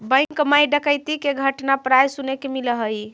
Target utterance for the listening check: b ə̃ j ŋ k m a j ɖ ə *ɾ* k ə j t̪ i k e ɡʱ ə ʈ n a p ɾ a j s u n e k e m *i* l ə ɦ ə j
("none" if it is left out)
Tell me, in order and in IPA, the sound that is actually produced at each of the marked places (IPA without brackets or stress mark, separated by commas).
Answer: none, i